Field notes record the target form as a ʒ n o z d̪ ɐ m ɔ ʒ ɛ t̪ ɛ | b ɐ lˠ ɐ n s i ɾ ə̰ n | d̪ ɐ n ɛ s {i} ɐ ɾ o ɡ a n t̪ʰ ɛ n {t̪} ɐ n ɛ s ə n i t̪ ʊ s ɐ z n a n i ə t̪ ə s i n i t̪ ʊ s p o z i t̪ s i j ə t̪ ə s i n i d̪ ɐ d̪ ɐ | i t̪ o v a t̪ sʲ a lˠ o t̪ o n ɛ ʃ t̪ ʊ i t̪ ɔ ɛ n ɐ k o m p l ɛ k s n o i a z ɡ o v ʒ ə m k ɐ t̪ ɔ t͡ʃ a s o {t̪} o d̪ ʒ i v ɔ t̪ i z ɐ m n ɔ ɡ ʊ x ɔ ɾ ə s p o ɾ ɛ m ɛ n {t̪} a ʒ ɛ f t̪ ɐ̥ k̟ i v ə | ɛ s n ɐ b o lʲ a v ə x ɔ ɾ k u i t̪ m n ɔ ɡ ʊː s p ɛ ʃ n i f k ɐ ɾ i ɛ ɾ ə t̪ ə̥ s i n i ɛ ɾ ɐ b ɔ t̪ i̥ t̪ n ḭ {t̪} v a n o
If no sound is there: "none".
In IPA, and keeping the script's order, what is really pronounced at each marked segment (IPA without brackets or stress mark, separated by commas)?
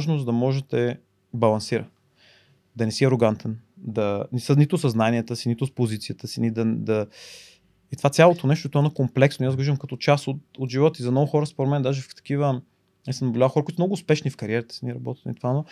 i, d̪, t̪, d̪, t̪